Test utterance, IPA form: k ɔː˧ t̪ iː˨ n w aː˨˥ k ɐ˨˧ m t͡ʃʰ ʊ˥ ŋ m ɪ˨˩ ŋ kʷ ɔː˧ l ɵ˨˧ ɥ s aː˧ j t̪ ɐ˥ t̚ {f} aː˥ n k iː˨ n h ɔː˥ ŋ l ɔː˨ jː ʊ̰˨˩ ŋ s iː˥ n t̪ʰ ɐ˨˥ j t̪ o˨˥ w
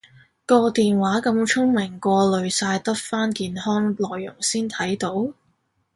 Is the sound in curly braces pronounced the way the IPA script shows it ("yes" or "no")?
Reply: yes